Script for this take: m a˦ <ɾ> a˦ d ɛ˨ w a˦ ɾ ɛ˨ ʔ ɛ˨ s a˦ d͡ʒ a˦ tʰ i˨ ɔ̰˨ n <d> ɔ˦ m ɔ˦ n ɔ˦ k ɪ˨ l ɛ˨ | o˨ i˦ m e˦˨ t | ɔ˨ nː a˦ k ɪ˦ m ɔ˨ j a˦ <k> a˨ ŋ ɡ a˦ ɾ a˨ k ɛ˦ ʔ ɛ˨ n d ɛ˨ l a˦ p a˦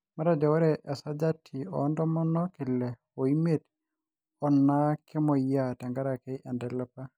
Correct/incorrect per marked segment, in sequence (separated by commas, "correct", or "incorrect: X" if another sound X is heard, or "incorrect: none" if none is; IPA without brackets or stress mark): correct, correct, incorrect: t